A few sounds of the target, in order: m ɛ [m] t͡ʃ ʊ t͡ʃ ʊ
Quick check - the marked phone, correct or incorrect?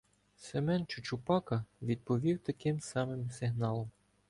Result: incorrect